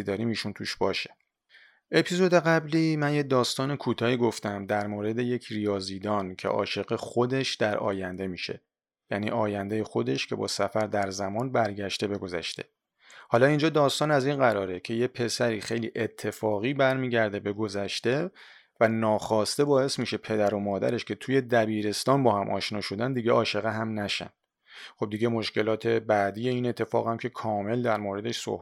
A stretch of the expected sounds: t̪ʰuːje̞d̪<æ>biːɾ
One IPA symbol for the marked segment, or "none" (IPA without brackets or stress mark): æ